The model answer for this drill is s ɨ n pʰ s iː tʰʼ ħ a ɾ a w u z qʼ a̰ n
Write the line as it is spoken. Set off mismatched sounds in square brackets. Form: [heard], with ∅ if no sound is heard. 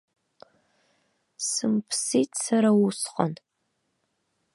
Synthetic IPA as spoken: s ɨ [m] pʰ s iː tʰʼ [s] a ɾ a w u [s] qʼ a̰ n